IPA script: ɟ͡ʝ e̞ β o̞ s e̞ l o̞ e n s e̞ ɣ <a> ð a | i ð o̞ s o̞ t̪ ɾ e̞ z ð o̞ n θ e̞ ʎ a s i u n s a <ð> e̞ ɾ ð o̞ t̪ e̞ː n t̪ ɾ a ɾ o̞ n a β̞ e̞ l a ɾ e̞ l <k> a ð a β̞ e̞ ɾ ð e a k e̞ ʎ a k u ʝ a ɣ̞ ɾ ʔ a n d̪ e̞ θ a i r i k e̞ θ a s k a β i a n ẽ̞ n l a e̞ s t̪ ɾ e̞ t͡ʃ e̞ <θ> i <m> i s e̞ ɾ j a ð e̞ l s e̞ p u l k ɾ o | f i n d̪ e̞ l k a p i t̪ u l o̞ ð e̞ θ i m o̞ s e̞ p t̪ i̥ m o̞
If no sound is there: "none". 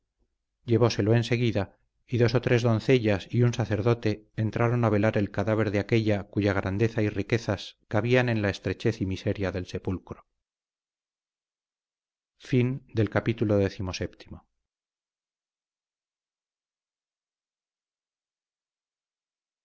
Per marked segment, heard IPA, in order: i, θ, k, θ, m

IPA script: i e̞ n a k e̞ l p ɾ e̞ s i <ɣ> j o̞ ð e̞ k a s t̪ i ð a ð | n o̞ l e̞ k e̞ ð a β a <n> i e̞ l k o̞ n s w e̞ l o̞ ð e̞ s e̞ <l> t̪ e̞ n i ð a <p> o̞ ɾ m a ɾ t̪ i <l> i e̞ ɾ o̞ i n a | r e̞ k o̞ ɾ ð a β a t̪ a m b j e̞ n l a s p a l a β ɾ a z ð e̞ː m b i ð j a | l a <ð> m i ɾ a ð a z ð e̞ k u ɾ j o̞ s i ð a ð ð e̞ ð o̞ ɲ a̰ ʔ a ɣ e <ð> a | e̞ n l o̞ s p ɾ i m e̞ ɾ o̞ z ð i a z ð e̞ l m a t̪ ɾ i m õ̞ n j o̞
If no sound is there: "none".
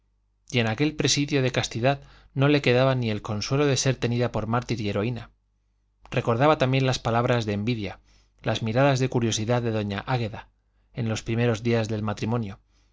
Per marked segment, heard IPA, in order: ð, n, ɾ, p, ɾ, z, ð

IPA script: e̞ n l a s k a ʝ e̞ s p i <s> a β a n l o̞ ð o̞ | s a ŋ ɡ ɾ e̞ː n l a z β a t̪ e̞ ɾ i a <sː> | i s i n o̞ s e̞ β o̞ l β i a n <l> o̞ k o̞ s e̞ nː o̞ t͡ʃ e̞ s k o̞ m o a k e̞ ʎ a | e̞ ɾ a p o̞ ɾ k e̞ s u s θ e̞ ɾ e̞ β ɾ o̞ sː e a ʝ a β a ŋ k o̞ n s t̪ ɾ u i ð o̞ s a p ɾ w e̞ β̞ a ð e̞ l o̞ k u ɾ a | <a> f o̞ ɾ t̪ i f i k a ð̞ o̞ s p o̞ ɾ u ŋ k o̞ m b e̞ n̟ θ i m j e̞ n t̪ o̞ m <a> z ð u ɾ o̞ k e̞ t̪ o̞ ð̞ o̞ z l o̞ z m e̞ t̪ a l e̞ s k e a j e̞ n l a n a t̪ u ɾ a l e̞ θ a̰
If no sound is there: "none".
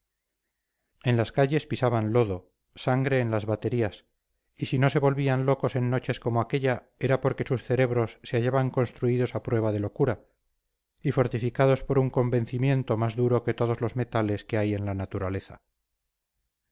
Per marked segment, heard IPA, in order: s, s, l, i, a

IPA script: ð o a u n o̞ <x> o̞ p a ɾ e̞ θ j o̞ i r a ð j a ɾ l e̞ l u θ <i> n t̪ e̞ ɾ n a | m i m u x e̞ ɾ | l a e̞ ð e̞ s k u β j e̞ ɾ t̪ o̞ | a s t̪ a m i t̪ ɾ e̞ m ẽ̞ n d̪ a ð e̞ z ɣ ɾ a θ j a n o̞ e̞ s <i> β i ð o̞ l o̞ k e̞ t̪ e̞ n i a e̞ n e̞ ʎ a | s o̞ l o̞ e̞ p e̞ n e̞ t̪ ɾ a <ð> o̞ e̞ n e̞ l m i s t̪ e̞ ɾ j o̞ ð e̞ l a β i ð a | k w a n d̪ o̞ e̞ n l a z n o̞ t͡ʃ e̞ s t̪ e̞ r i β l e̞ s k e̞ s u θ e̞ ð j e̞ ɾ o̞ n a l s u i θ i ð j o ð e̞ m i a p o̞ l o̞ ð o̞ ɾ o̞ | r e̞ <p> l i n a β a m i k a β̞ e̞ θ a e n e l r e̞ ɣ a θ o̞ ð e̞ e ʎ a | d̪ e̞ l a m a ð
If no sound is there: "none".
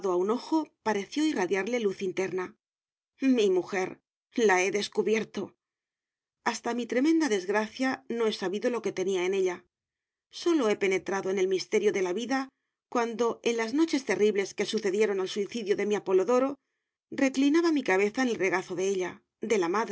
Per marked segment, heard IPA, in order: x, i, a, ð, k

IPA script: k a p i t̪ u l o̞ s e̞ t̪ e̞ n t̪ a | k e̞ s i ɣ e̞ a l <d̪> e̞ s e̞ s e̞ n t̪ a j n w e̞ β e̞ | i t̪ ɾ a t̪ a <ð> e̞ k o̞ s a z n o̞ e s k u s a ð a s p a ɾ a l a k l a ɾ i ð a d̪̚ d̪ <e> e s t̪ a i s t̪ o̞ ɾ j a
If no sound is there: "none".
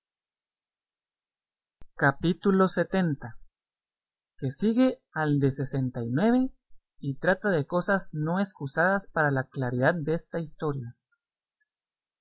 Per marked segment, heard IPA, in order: d̪, ð, e

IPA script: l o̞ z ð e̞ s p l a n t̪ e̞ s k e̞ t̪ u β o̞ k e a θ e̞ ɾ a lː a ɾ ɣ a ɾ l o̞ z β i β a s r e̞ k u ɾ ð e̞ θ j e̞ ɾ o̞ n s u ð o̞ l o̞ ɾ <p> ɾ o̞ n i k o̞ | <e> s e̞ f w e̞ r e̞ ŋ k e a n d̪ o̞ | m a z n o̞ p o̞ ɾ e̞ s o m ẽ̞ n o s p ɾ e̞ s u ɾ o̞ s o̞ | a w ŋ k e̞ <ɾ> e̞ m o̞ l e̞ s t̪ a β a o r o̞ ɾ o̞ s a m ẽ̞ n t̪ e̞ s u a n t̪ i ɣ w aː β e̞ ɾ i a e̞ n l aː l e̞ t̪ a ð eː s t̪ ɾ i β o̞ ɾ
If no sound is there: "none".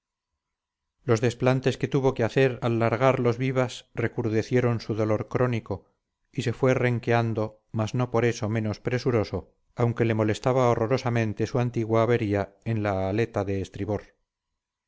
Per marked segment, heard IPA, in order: k, i, l

